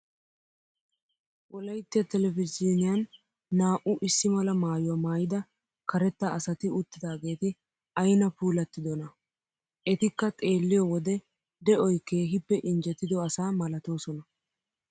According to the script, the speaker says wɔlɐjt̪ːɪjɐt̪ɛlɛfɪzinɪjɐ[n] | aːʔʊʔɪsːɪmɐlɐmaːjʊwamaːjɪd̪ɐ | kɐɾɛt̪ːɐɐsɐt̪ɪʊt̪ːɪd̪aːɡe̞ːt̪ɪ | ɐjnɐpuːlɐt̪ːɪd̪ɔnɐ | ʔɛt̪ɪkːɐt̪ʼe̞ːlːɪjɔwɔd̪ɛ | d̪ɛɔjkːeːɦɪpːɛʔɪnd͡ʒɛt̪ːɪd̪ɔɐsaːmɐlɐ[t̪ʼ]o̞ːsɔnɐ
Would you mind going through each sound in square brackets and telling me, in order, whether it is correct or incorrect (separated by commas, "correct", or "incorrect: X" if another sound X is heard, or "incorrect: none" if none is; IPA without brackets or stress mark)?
incorrect: nː, incorrect: t̪